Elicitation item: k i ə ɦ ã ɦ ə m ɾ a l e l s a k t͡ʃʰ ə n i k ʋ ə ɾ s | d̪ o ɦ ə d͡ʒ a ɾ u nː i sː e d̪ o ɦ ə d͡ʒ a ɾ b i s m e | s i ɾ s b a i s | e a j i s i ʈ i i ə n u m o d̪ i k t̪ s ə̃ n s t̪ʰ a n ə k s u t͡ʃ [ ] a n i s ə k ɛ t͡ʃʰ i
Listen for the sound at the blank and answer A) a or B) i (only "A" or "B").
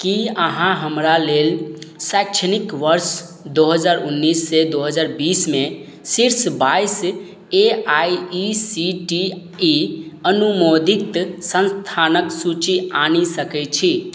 B